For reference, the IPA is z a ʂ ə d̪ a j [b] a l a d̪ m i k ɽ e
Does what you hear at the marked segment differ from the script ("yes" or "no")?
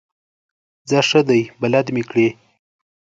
no